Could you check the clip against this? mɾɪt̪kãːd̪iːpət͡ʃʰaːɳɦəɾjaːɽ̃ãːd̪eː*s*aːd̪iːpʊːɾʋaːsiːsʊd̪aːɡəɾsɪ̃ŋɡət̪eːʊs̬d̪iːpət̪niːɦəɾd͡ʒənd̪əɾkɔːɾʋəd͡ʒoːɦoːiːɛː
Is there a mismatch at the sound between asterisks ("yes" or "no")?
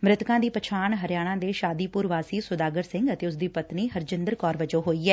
yes